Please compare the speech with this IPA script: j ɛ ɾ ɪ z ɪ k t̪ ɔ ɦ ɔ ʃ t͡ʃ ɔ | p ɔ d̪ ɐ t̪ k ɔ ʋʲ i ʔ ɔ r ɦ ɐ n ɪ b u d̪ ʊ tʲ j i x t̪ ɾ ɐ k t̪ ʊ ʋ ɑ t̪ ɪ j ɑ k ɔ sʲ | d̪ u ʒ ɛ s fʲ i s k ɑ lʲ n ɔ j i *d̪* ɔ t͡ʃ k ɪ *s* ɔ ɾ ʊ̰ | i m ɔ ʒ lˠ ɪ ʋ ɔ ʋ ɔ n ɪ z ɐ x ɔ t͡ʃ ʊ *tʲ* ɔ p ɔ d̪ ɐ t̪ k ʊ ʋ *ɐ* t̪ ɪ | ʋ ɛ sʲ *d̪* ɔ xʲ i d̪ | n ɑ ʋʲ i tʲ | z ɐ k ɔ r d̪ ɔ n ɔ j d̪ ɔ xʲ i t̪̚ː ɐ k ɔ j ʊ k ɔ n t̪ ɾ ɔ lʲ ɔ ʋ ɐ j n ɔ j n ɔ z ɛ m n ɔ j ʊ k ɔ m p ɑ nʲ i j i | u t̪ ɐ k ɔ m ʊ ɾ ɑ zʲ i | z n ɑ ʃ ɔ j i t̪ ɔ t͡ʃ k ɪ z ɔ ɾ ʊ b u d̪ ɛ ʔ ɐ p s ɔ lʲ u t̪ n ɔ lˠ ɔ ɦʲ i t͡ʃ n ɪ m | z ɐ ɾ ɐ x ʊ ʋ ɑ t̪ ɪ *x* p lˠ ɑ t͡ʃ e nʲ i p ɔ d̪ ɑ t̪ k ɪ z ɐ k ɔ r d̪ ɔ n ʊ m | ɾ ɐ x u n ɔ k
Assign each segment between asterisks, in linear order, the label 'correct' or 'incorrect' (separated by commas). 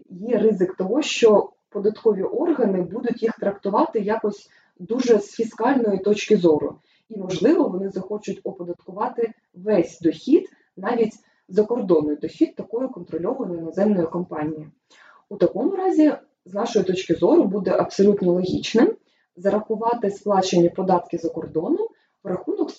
incorrect, incorrect, correct, incorrect, correct, incorrect